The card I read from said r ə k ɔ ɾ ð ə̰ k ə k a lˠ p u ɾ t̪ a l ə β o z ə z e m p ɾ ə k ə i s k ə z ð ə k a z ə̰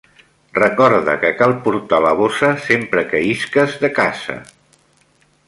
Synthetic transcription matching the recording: r ə k ɔ ɾ ð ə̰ k ə k a lˠ p u ɾ t̪ a l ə β o s ə s e m p ɾ ə k ə i s k ə z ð ə k a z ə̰